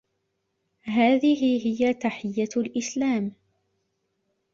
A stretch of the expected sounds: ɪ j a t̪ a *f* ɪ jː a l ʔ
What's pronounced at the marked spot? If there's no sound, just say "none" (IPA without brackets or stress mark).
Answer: ħ